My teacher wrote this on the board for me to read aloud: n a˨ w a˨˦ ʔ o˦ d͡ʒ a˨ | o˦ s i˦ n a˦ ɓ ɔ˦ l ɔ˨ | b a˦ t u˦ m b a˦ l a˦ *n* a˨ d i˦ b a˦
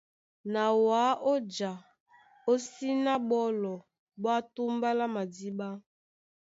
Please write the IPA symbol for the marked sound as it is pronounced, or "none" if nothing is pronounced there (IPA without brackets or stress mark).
m